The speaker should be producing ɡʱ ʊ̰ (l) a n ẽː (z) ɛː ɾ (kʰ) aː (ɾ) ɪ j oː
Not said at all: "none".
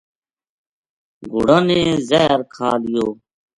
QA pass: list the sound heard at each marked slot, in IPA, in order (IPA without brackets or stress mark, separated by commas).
ɽ, z, kʰ, l